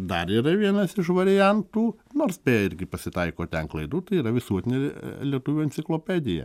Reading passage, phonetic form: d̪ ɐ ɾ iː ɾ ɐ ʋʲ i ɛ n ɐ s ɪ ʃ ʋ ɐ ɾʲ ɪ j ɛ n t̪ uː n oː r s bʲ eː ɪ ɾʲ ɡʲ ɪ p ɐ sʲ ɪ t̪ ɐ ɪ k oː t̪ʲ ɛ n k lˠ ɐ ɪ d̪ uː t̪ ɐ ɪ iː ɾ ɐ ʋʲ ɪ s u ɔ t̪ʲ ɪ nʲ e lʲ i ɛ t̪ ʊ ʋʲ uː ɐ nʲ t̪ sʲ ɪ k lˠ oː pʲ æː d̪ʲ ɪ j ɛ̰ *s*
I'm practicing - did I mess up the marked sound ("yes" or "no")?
yes